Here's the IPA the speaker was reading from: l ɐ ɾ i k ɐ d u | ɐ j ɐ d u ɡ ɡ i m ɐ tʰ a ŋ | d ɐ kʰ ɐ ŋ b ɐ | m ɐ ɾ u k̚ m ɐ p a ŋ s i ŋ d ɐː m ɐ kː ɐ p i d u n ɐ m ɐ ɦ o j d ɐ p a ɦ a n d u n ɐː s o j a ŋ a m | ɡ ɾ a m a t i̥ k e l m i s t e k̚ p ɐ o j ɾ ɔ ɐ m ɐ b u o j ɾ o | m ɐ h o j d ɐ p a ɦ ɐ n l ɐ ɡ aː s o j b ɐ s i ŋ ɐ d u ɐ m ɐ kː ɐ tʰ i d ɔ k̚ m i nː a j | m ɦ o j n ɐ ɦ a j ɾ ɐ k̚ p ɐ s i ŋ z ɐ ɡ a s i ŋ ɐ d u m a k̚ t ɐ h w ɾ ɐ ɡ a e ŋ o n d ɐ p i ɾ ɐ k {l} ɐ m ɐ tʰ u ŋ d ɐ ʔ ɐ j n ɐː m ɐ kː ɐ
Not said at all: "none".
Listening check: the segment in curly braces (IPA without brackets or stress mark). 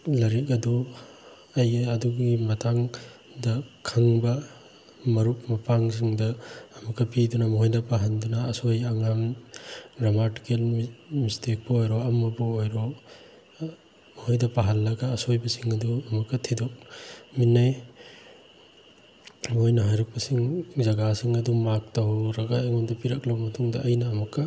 l